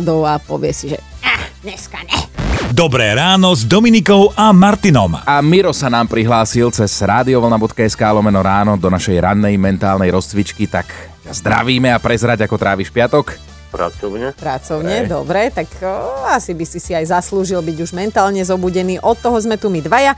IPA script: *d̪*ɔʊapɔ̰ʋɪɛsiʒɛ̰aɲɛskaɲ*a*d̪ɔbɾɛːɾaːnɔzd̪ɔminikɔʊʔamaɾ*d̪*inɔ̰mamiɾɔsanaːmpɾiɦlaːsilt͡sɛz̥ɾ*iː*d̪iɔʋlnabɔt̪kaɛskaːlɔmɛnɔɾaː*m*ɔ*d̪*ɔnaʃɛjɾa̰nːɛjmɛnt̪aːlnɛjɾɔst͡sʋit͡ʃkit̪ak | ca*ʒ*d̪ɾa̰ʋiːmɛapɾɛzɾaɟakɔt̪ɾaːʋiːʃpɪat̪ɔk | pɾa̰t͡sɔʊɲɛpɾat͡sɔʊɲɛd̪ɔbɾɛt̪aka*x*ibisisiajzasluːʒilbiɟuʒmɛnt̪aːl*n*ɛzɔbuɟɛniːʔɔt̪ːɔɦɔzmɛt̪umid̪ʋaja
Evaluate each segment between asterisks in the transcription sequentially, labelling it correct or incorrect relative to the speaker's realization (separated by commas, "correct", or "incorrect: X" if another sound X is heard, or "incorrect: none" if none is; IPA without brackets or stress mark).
correct, incorrect: ɛ, incorrect: t̪, incorrect: aː, incorrect: n, correct, incorrect: z, incorrect: s, incorrect: ɲ